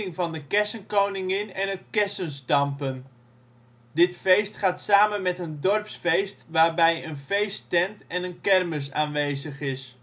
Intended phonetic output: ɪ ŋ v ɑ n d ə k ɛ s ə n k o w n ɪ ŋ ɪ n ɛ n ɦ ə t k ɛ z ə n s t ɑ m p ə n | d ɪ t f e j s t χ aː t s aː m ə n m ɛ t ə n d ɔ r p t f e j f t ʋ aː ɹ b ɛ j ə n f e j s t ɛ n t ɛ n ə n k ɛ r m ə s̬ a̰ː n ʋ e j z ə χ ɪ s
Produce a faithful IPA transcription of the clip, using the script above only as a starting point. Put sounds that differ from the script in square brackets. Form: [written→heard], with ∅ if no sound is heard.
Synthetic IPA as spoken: ɪ ŋ v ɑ n d ə k ɛ s ə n k o w n ɪ ŋ ɪ n ɛ n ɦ ə t k ɛ [z→s] ə n s t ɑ m p ə n | d ɪ t f e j s t χ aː t s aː m ə n m ɛ t ə n d ɔ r p [t→s] f e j [f→s] t ʋ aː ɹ b ɛ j ə n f e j s t ɛ n t ɛ n ə n k ɛ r m ə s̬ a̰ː n ʋ e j z ə χ ɪ s

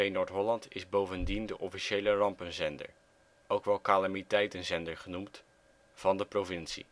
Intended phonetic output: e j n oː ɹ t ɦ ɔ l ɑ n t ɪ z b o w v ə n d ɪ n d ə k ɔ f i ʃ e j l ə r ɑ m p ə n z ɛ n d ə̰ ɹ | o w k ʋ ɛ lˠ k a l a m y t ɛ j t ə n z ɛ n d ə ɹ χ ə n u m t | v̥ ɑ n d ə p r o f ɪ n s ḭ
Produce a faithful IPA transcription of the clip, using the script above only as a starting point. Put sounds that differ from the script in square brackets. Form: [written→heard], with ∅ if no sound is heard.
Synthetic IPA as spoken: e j n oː ɹ t ɦ ɔ l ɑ n t ɪ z b o w v ə n d [ɪ→i] n d ə [k→ʔ] ɔ f i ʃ e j l ə r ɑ m p ə n z ɛ n d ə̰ ɹ | o w k ʋ ɛ lˠ k a l a m [y→i] t ɛ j t ə n z ɛ n d ə ɹ χ ə n u m t | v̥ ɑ n d ə p r o [f→v] ɪ n s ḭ

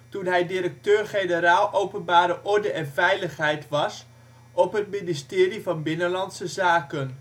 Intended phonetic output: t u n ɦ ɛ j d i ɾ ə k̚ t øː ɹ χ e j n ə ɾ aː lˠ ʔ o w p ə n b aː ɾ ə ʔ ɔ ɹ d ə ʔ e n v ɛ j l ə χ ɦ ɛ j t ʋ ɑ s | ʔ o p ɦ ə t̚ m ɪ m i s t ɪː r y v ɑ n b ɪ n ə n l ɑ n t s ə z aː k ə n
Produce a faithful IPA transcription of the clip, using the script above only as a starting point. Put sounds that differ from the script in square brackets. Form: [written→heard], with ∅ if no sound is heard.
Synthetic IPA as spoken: t u n ɦ ɛ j d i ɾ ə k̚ t øː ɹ χ e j n ə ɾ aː lˠ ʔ o w p ə n b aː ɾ ə ʔ ɔ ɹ d ə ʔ [e→ɛ] n v ɛ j l ə χ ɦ ɛ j t ʋ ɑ s | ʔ [o→ɔ] p ɦ ə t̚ m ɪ [m→n] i s t ɪː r [y→i] v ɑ n b ɪ n ə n l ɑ n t s ə z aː k ə n

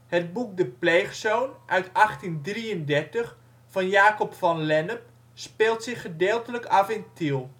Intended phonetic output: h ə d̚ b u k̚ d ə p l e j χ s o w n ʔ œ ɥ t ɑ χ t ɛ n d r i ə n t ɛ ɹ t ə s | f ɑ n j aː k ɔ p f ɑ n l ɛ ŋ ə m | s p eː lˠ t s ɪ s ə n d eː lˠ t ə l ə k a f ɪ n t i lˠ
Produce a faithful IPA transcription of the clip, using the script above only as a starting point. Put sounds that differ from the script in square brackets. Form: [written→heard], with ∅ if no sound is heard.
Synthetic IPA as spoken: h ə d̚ b u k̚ d ə p l e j χ s o w n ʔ œ ɥ t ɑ χ t [ɛ→i] n d r i ə n [t→d] ɛ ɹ t ə [s→χ] | f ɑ n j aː k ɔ p f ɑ n l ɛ [ŋ→n] ə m | s p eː lˠ t s ɪ [s→χ] ə [n→∅] d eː lˠ t ə l ə k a f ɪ n t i lˠ

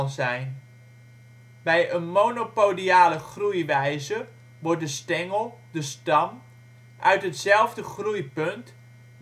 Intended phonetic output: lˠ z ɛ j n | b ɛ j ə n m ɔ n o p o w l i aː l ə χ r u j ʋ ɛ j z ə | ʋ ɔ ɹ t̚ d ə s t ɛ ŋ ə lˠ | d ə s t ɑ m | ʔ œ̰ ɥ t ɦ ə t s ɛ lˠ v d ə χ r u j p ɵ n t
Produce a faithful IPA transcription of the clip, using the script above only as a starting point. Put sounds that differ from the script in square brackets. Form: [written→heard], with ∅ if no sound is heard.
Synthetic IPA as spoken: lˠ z ɛ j n | b ɛ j ə n m [ɔ→o] n o p o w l i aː l ə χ r u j ʋ ɛ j z ə | ʋ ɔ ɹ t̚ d ə s t ɛ ŋ ə lˠ | d ə s t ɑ m | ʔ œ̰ ɥ t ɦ ə t s ɛ lˠ v d ə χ r u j p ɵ n t

